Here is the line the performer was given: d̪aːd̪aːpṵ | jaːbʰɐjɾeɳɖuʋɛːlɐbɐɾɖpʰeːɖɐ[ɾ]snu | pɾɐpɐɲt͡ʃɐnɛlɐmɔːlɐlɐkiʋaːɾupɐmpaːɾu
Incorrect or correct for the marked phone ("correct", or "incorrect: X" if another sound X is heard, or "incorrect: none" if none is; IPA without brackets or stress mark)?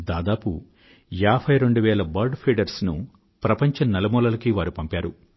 correct